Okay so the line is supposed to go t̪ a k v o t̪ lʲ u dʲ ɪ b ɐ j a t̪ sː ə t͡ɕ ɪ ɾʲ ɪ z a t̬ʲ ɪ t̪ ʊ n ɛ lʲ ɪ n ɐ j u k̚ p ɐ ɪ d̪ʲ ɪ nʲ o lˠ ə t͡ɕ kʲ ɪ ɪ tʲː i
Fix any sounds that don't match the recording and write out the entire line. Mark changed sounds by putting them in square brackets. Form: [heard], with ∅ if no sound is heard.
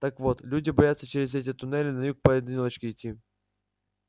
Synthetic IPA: t̪ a k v o t̪ lʲ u dʲ ɪ b ɐ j a t̪ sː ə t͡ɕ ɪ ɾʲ ɪ z [ɛ] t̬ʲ ɪ t̪ ʊ n ɛ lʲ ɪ n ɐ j u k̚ p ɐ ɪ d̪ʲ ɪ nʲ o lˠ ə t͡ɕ kʲ ɪ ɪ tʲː i